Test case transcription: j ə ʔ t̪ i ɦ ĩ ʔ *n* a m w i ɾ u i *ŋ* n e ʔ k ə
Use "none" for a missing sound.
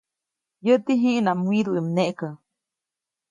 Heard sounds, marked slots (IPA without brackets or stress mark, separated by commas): n, m